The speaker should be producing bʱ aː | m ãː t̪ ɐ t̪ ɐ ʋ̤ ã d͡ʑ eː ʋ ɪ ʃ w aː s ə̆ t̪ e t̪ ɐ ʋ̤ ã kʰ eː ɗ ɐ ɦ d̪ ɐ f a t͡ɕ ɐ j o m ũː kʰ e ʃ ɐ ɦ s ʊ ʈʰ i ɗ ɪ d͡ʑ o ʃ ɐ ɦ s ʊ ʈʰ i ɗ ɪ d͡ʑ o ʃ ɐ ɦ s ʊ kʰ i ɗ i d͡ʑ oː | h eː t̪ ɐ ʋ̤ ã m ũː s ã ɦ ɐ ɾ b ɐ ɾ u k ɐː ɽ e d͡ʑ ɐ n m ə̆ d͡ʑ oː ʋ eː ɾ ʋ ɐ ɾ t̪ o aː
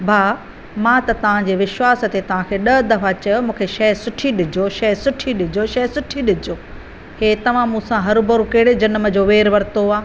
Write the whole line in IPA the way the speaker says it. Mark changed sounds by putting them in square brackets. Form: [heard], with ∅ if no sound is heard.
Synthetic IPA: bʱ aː | m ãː t̪ ɐ t̪ ɐ ʋ̤ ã d͡ʑ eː ʋ ɪ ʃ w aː s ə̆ t̪ e t̪ ɐ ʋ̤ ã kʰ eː ɗ ɐ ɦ d̪ ɐ f a t͡ɕ ɐ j o m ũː kʰ e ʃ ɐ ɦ s ʊ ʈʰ i ɗ ɪ d͡ʑ o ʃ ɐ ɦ s ʊ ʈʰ i ɗ ɪ d͡ʑ o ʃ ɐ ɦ s ʊ [ʈʰ] i ɗ [ɪ] d͡ʑ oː | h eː t̪ ɐ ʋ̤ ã m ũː s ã ɦ ɐ ɾ b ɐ ɾ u k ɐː ɽ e d͡ʑ ɐ n m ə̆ d͡ʑ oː ʋ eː ɾ ʋ ɐ ɾ t̪ o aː